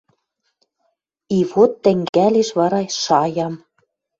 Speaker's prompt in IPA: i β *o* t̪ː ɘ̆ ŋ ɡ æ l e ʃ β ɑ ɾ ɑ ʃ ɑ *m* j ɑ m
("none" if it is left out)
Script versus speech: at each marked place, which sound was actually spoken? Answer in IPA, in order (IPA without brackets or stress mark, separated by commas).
o, none